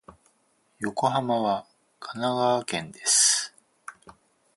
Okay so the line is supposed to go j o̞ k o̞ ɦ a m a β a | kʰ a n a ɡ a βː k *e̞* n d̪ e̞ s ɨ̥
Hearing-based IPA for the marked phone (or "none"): ẽ̞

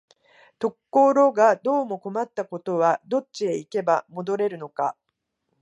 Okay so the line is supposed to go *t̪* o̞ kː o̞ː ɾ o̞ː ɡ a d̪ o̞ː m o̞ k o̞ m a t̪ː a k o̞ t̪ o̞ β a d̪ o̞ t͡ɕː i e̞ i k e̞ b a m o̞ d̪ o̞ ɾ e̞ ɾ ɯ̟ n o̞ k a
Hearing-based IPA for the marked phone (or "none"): t̪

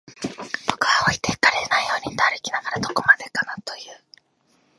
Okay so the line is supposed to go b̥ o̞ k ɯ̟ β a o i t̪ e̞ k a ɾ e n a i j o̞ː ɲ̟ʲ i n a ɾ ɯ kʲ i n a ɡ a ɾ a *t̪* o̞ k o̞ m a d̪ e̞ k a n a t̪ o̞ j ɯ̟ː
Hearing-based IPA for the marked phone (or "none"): d̪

